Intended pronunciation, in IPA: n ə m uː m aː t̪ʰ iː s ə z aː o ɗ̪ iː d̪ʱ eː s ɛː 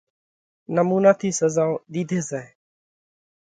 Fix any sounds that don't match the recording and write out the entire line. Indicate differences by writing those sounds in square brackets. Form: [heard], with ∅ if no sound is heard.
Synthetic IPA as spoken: n ə m uː [n] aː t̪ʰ iː s ə z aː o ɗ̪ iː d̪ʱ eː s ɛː